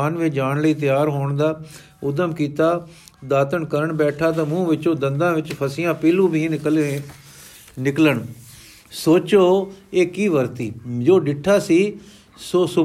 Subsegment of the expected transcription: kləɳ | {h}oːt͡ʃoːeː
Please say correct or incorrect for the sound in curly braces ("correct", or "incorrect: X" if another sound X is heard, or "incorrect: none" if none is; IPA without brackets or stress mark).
incorrect: s